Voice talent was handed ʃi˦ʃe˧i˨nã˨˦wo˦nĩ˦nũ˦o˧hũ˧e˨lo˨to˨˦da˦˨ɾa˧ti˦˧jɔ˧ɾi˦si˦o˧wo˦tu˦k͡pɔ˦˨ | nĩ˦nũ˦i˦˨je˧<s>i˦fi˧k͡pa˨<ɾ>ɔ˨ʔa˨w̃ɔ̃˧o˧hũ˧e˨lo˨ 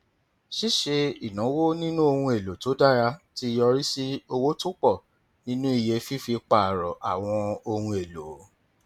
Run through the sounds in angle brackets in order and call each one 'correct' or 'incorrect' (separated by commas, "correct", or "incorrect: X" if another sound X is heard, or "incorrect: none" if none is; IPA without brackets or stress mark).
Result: incorrect: f, correct